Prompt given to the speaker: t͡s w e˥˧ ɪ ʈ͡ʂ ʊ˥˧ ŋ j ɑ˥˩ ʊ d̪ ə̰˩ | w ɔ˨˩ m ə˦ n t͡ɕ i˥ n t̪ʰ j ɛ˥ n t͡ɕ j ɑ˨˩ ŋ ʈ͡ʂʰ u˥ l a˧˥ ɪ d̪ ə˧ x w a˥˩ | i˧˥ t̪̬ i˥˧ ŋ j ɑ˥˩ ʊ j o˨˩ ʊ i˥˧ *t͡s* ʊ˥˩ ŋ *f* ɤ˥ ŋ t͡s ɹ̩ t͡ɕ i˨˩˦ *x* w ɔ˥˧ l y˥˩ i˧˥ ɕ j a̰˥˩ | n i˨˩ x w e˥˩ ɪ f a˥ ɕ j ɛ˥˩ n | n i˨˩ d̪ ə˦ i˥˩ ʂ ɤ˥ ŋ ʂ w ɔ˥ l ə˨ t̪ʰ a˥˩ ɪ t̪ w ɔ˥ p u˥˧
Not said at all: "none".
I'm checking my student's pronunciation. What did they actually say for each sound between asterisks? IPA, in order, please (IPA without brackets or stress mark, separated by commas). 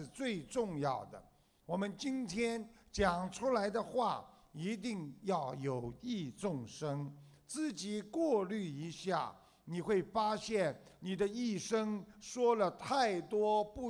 t͡s, ʂ, k